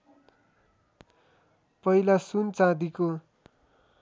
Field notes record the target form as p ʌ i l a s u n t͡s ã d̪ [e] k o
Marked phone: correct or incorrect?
incorrect